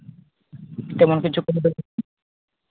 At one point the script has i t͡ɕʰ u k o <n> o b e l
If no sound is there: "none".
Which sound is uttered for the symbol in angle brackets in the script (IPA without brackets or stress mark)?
n